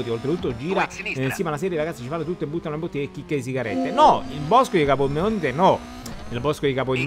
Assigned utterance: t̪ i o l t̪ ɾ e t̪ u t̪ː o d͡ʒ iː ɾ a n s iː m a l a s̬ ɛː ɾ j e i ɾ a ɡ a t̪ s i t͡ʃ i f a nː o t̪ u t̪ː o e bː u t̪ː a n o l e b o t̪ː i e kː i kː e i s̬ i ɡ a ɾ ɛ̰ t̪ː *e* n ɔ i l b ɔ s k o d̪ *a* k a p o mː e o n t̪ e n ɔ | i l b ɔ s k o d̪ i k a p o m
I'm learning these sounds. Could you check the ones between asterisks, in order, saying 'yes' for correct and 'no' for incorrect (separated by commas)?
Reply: yes, no